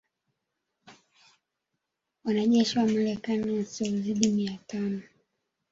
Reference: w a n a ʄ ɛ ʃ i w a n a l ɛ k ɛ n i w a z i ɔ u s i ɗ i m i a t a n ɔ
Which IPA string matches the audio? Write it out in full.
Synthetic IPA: w a n a ʄ ɛ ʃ i w a m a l ɛ k a n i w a s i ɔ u z i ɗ i m i a t a n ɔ